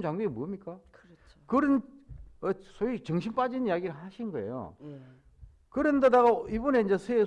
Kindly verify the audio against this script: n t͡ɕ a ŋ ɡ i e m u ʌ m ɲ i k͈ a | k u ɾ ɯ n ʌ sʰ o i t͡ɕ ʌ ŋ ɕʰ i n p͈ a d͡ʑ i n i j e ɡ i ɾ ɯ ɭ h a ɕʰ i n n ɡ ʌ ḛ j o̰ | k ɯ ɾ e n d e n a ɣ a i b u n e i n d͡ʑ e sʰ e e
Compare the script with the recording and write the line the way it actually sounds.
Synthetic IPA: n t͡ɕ a ŋ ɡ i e m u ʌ m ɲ i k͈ a | k ɯ ɾ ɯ n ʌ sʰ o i t͡ɕ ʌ ŋ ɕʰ i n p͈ a d͡ʑ i n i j a ɡ i ɾ ɯ ɭ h a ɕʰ i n n ɡ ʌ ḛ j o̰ | k ɯ ɾ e n d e d a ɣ a i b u n e i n d͡ʑ e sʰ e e